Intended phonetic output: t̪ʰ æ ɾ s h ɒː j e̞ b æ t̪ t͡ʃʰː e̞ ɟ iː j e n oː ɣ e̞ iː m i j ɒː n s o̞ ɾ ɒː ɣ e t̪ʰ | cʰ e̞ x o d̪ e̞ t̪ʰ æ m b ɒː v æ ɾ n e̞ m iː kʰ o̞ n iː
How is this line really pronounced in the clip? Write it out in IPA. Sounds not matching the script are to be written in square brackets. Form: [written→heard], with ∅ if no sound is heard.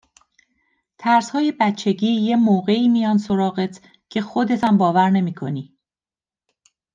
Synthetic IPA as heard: t̪ʰ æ ɾ s h ɒː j e̞ b æ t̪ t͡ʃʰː e̞ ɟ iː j e [n→m] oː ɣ e̞ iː m i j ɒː n s o̞ ɾ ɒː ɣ e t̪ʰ | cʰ e̞ x o d̪ e̞ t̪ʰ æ m b ɒː v æ ɾ n e̞ m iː kʰ o̞ n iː